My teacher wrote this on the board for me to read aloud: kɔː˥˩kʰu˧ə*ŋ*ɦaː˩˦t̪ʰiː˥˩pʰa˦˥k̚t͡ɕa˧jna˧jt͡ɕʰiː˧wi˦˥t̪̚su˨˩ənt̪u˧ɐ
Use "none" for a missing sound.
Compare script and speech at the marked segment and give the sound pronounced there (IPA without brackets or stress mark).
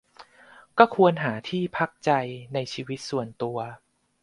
n